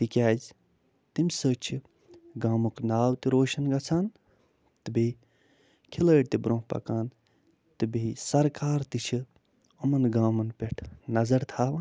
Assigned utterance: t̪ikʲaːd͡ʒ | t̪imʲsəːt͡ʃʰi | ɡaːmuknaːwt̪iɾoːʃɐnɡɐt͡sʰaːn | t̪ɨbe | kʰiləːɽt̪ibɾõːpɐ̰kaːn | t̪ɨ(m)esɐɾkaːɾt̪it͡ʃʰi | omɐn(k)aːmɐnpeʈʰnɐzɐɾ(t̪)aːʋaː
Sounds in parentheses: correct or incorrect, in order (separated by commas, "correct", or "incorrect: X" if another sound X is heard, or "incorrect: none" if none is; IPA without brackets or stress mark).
incorrect: b, incorrect: ɡ, incorrect: t̪ʰ